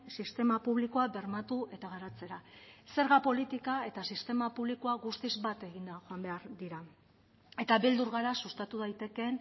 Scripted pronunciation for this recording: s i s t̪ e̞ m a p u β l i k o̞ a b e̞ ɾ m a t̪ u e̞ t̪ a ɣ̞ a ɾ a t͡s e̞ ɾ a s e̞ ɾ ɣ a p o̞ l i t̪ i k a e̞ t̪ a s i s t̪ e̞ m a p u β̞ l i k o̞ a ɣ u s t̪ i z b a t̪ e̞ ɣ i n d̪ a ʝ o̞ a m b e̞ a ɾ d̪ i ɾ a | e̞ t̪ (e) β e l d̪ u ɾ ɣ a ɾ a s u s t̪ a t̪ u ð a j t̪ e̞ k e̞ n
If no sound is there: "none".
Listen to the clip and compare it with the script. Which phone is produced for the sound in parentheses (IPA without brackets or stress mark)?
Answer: a